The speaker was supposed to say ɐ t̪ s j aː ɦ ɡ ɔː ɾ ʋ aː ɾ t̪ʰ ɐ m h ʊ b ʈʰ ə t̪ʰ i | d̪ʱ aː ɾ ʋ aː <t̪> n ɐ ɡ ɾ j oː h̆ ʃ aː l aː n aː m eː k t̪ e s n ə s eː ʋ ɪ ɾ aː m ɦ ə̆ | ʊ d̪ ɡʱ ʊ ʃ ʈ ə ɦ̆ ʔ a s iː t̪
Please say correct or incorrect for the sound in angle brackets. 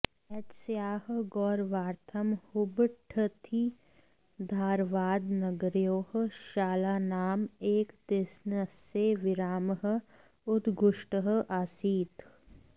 incorrect